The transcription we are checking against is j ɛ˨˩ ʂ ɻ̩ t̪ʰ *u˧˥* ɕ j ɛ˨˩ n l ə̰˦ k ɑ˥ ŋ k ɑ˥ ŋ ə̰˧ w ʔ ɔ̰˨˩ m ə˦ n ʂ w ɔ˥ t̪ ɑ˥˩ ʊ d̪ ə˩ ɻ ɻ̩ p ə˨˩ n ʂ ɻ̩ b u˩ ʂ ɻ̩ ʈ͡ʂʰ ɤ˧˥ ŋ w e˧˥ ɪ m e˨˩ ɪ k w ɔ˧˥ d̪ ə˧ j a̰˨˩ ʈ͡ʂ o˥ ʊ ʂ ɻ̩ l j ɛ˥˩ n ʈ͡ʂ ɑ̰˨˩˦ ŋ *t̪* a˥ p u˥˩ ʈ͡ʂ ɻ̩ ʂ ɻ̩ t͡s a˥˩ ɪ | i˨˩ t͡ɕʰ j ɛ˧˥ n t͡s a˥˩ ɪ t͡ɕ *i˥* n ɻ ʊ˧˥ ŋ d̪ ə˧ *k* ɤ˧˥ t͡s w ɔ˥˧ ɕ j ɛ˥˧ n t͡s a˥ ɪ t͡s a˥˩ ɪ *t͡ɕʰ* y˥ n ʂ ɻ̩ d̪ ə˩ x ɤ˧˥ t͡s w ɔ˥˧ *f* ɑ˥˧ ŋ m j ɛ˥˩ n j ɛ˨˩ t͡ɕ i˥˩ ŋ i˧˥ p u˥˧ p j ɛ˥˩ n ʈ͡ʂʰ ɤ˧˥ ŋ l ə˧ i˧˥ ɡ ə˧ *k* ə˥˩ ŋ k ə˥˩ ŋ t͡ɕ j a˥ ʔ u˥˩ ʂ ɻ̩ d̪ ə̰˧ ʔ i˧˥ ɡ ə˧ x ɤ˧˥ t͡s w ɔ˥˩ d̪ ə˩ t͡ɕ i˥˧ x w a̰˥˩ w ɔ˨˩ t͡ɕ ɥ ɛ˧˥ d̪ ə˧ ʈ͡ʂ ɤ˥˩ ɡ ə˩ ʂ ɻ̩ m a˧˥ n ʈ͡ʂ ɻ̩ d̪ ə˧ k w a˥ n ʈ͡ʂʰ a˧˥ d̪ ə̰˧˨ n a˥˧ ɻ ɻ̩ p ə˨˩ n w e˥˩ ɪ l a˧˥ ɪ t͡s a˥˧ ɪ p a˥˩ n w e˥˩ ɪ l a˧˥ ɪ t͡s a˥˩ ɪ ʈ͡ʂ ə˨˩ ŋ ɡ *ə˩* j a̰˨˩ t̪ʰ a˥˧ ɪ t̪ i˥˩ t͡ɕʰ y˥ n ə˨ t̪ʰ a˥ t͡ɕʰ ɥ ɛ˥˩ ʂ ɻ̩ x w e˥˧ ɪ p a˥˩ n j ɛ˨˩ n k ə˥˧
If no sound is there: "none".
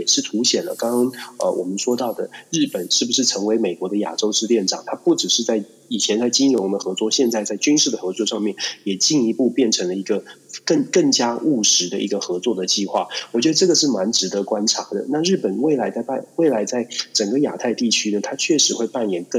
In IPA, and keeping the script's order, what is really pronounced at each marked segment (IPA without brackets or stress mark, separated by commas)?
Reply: u˧˥, t̪ʰ, i˥, x, t͡ɕ, ʂ, k, ə˦